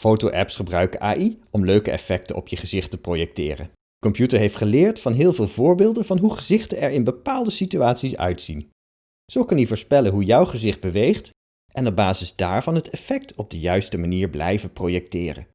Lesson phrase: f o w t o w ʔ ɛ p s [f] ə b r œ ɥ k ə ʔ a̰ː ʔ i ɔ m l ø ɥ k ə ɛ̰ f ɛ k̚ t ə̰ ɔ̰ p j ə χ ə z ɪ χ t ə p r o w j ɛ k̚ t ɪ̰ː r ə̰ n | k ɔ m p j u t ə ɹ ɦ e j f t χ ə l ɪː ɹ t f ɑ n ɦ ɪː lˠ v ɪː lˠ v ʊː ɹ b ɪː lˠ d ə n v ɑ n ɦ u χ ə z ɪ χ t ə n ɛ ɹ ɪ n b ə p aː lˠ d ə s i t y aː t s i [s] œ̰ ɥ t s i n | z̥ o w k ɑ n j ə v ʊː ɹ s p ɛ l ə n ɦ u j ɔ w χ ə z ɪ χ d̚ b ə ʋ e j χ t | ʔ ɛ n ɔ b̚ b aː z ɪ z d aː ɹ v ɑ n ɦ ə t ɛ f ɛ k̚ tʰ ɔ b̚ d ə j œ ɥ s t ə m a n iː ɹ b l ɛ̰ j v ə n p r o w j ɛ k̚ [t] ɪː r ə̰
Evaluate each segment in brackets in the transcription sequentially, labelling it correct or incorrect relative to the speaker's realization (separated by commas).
incorrect, correct, correct